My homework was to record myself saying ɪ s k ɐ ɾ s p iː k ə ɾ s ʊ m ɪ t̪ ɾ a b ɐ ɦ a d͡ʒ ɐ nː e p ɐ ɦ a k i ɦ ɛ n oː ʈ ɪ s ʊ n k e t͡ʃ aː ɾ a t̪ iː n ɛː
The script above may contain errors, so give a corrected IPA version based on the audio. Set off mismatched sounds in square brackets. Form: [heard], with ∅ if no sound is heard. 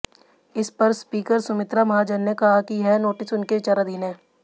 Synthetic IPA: ɪ s [p] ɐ ɾ s p iː k ə ɾ s ʊ m ɪ t̪ ɾ a [m] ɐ ɦ a d͡ʒ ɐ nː e [k] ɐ ɦ a k i ɦ ɛ n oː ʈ ɪ s ʊ n k e t͡ʃ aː ɾ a [d̪] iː n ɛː